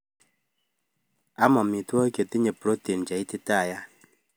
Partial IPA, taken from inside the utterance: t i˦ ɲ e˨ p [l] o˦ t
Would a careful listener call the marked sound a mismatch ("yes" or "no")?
yes